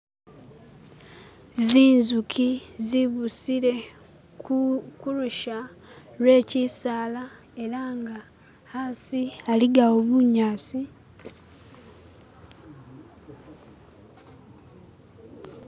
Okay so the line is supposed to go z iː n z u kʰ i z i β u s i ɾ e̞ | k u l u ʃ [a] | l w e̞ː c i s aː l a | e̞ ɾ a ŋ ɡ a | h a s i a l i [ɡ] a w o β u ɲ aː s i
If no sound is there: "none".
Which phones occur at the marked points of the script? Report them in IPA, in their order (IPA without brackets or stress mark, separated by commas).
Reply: a, ɡ